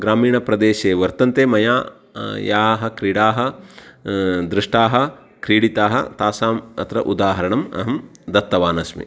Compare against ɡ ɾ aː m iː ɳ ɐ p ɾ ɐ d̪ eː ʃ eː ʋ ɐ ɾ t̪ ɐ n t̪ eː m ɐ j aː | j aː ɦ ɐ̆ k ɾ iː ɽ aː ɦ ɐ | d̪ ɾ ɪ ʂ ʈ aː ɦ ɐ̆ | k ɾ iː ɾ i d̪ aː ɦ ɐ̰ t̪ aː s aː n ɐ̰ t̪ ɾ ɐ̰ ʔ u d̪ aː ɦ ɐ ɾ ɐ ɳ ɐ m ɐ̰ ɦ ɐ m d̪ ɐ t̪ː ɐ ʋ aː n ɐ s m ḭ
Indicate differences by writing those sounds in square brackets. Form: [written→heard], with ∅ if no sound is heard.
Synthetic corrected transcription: ɡ ɾ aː m iː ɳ ɐ p ɾ ɐ d̪ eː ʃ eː ʋ ɐ ɾ t̪ ɐ n t̪ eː m ɐ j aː | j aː ɦ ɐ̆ k ɾ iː ɽ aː ɦ ɐ | d̪ ɾ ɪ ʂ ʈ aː ɦ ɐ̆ | k ɾ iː [ɾ→ɽ] i [d̪→t̪] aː ɦ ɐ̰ t̪ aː s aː [n→m] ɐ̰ t̪ ɾ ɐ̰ ʔ u d̪ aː ɦ ɐ ɾ ɐ ɳ ɐ m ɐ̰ ɦ ɐ m d̪ ɐ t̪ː ɐ ʋ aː n ɐ s m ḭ